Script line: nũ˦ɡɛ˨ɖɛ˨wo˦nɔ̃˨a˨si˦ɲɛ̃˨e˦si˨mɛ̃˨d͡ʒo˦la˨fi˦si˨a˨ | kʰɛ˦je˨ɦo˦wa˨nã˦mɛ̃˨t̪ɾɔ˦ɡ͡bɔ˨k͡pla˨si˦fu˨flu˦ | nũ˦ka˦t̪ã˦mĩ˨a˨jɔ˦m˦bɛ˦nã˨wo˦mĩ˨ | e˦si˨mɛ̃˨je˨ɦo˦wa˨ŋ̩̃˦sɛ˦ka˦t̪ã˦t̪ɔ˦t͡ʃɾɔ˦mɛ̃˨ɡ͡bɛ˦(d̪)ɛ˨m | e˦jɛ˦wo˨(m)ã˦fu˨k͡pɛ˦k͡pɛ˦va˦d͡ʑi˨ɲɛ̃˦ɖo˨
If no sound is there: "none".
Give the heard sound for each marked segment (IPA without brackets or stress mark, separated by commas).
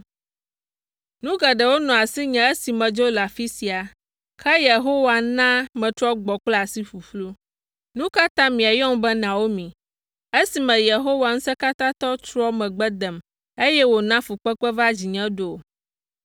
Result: d̪, n